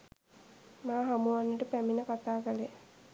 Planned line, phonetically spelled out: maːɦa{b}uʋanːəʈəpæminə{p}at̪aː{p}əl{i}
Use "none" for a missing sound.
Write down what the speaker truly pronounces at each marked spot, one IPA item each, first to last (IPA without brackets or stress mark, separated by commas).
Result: m, k, k, e